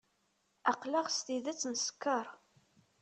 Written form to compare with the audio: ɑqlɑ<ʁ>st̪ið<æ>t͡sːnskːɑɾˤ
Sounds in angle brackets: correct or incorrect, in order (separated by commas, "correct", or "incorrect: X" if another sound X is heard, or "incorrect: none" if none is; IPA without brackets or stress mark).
correct, correct